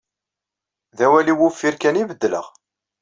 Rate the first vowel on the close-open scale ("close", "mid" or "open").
open